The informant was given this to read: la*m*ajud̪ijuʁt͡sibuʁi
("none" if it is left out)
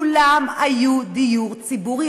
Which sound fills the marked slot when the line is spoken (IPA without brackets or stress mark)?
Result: m